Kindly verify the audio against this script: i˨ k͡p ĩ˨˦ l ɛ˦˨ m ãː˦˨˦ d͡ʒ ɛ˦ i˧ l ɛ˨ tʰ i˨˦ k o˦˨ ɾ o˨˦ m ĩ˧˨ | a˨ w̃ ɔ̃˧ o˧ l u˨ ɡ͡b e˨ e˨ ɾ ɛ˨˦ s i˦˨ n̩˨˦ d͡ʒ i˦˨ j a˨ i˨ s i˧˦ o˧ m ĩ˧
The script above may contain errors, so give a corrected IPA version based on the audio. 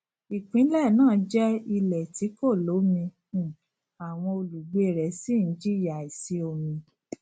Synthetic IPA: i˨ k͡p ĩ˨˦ l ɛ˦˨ n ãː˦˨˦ d͡ʒ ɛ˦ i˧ l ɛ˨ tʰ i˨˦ k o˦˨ l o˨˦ m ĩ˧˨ | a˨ w̃ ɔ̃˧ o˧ l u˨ ɡ͡b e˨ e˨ ɾ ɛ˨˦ s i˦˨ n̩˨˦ d͡ʒ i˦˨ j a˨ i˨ s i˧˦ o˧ m ĩ˧